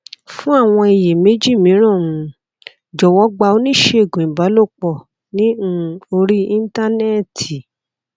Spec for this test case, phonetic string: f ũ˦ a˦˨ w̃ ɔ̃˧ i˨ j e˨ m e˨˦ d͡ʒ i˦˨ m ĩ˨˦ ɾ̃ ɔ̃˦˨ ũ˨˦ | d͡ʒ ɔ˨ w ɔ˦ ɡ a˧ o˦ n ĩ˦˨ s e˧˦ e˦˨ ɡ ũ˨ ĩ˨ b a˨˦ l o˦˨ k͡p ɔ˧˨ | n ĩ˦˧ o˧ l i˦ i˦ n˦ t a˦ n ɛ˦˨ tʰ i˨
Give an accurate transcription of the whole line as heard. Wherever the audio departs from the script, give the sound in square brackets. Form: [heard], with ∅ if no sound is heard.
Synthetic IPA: f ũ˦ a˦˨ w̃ ɔ̃˧ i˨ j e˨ m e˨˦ d͡ʒ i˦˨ m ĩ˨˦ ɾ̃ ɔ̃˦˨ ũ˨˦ | d͡ʒ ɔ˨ w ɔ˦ [ɡ͡b] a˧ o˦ n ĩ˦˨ [ʃ] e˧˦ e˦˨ ɡ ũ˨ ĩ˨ b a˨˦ l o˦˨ k͡p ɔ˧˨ | n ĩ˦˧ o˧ [ɾ] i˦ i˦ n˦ t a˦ n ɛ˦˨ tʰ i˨